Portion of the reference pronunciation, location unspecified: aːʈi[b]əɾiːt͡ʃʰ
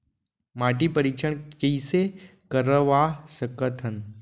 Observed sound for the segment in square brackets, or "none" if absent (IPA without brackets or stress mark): p